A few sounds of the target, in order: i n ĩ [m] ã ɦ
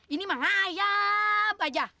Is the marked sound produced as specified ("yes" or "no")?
yes